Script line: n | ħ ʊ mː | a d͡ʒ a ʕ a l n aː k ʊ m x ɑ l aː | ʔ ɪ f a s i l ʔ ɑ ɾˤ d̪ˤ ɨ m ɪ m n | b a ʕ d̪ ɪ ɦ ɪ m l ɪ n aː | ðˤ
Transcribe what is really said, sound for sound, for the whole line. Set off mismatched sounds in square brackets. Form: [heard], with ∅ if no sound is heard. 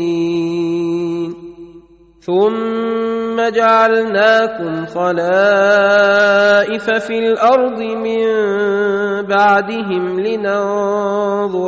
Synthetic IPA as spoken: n | [θ] ʊ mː | a d͡ʒ a ʕ a l n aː k ʊ m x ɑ l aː | ʔ ɪ f a [f] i l ʔ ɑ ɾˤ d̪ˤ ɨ m ɪ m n | b a ʕ d̪ ɪ ɦ ɪ m l ɪ n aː | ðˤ